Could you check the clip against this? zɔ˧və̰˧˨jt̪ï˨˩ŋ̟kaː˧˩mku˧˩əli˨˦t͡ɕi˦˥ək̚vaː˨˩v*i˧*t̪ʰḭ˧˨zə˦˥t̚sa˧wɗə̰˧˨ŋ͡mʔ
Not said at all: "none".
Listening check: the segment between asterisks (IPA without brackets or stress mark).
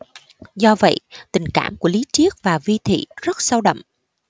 i˧